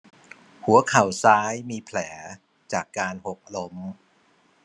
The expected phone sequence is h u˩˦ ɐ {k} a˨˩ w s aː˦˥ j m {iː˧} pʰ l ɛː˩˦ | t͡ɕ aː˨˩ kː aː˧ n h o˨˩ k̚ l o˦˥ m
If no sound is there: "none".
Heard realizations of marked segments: kʰ, iː˧

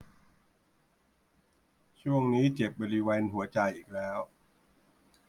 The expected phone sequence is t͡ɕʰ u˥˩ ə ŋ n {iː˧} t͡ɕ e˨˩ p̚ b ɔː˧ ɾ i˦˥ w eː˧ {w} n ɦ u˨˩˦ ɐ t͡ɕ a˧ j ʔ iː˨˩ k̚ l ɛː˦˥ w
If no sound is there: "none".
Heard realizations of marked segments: iː˦˥, none

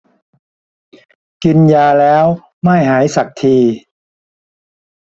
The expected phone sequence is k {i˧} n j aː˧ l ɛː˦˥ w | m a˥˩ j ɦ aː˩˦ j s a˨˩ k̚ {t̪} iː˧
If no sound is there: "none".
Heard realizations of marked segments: i˧, t̪ʰ

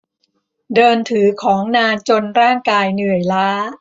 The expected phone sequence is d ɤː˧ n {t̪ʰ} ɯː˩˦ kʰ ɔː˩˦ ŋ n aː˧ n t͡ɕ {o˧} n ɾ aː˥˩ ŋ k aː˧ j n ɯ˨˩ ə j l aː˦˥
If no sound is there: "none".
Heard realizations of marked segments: t̪ʰ, o˧

